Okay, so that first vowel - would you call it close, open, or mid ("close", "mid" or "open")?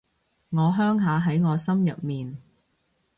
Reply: mid